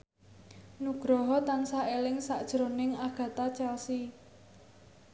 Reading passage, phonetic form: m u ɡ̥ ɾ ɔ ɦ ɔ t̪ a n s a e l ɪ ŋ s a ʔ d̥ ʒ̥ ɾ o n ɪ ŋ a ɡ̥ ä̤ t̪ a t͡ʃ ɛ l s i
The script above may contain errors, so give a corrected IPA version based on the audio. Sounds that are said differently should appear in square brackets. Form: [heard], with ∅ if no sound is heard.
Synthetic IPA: [n] u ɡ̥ ɾ ɔ ɦ ɔ t̪ a n s a e l ɪ ŋ s a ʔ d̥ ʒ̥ ɾ o n ɪ ŋ a ɡ̥ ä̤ t̪ a t͡ʃ ɛ l s i